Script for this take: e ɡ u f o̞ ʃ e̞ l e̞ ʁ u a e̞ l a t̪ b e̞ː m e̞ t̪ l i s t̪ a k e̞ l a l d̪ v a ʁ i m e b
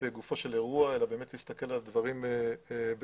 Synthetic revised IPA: e ɡ u f o̞ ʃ e̞ l e̞ ʁ u a e̞ l a b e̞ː m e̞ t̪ l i s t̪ a k e̞ l a l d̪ v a ʁ i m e b